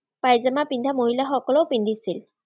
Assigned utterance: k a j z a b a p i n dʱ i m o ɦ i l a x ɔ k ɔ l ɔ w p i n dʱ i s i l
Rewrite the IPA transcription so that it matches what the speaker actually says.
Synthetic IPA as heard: p a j z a m a p i n dʱ a m o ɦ i l a x ɔ k ɔ l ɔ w p i n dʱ i s i l